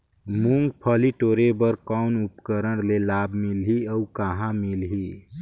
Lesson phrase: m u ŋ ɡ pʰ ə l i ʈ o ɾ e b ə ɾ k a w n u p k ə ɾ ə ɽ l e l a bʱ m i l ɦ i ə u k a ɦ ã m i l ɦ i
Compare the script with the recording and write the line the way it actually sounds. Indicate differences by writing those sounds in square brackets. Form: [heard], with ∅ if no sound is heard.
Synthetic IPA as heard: m u ŋ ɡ pʰ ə l i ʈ o ɾ e b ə ɾ k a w n u p k ə ɾ ə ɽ l e l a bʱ m i l ɦ i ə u k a ɦ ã m i l ɦ i